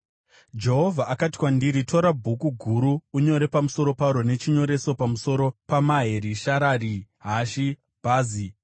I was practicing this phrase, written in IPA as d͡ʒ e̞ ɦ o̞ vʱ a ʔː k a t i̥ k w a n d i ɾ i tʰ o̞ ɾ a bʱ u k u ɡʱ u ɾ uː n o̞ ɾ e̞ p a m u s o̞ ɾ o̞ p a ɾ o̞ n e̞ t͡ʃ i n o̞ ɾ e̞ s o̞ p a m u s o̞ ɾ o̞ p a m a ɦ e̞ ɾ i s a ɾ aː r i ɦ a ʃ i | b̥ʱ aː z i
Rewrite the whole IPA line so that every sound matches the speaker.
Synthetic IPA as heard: d͡ʒ e̞ ɦ o̞ vʱ a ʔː k a t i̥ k w a n d i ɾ i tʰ o̞ ɾ a bʱ u k u ɡʱ u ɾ uː ɲ o̞ ɾ e̞ p a m u s o̞ ɾ o̞ p a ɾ o̞ n e̞ t͡ʃ i ɲ o̞ ɾ e̞ s o̞ p a m u s o̞ ɾ o̞ p a m a ɦ e̞ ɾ i ʃ a ɾ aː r i ɦ a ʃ i | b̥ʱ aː z i